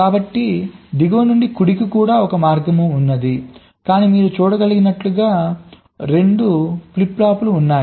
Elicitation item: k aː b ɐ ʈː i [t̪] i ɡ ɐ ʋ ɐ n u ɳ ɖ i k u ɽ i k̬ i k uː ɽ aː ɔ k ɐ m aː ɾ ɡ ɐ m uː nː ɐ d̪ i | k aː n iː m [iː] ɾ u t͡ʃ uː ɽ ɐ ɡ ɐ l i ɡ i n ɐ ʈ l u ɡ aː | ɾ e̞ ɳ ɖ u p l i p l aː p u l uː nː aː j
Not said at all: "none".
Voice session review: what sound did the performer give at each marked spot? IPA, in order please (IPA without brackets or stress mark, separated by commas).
d̪, iː